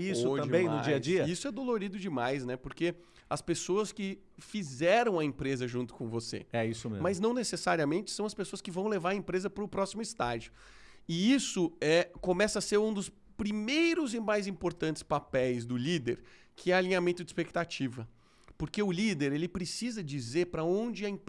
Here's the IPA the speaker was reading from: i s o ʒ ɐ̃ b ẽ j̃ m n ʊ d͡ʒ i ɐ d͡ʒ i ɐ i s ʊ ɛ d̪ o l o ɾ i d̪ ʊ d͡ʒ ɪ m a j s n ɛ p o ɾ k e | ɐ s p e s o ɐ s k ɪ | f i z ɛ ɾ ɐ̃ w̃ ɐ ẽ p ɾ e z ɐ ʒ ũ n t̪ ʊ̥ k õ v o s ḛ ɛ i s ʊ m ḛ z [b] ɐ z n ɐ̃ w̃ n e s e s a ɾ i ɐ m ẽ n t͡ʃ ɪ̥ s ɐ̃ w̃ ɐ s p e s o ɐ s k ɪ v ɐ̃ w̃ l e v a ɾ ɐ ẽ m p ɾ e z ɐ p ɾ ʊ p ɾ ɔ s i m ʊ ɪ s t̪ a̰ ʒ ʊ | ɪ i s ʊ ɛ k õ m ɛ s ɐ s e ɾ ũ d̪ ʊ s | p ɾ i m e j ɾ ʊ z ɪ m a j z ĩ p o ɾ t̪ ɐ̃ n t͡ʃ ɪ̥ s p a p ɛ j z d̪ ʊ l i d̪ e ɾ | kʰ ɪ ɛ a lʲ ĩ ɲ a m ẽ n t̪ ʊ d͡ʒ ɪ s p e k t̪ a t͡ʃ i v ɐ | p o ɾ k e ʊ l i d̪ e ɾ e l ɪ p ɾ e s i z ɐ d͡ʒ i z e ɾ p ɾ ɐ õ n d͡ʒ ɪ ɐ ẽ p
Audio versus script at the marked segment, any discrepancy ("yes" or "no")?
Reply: yes